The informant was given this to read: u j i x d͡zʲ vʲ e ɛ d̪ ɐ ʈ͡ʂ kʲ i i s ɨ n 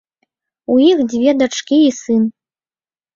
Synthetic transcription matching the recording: u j i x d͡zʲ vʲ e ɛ d̪ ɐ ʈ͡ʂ kʲ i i s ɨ n